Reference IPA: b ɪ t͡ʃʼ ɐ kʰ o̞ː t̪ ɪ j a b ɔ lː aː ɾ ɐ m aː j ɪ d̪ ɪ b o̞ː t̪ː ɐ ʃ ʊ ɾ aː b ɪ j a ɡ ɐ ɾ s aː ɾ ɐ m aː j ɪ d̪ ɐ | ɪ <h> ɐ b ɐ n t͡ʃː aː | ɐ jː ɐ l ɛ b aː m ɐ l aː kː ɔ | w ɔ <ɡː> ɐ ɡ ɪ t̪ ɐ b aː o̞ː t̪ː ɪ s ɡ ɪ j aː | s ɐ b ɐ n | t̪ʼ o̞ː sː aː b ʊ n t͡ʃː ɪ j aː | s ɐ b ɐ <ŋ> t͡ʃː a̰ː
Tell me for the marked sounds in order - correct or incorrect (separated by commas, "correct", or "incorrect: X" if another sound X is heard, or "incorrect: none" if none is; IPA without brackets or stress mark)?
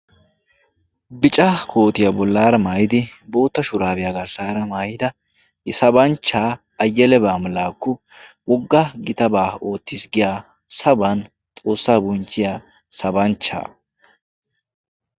incorrect: s, correct, incorrect: n